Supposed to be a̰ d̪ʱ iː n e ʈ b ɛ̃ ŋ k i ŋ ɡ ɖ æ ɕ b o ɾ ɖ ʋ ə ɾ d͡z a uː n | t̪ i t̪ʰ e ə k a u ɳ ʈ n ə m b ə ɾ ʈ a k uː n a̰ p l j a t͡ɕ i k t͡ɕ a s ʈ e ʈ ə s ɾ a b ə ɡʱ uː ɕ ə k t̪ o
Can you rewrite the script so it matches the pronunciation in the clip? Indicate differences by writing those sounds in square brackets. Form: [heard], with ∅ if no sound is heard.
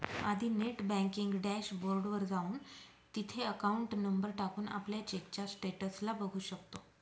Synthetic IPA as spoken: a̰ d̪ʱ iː n e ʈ b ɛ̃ ŋ k i ŋ ɡ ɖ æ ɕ b o ɾ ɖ ʋ ə ɾ d͡z a uː n | t̪ i t̪ʰ e ə k a u ɳ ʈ n ə m b ə ɾ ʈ a k uː n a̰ p l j a t͡ɕ [e] k t͡ɕ a s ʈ e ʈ ə s [l] a b ə ɡʱ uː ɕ ə k t̪ o